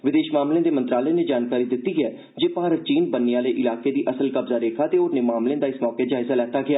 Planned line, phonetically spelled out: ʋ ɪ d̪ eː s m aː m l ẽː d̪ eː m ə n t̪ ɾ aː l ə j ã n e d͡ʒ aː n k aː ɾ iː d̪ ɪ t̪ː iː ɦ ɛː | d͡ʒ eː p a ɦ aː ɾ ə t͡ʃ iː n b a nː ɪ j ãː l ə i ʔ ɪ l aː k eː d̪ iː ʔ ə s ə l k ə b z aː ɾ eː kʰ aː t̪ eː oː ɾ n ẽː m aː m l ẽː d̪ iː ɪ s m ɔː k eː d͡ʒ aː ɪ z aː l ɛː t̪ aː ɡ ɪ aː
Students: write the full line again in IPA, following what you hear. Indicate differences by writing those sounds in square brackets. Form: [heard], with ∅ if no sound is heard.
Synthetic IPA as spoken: ʋ ɪ d̪ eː [ʃ] m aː m l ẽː d̪ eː m ə n t̪ ɾ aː l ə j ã n e d͡ʒ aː n k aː ɾ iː d̪ ɪ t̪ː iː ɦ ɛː | d͡ʒ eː p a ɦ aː ɾ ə t͡ʃ iː n b [ə] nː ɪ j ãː l ə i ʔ ɪ l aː k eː d̪ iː ʔ ə s ə l k ə b z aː ɾ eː kʰ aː t̪ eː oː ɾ n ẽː m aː m l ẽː d̪ [aː] ɪ s m ɔː k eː d͡ʒ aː ɪ z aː l ɛː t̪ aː ɡ ɪ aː